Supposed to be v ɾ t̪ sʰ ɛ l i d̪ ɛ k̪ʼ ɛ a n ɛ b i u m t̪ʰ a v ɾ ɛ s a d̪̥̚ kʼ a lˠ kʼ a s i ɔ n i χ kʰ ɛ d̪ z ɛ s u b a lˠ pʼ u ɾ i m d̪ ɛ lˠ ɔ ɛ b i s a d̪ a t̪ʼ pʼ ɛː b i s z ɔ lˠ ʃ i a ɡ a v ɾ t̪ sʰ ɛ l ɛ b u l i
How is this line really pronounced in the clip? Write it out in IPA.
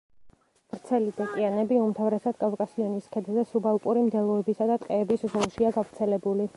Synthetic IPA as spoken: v ɾ t̪ sʰ ɛ l i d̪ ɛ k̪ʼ i a n ɛ b i u m t̪ʰ a v ɾ ɛ s a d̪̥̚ kʼ a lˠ kʼ a s i ɔ n i s kʰ ɛ d̪ z ɛ s u b a lˠ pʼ u ɾ i m d̪ ɛ lˠ ɔ ɛ b i s a d̪ a t̪ʼ qʼ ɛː b i s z ɔ lˠ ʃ i a ɡ a v ɾ t̪ sʰ ɛ l ɛ b u l i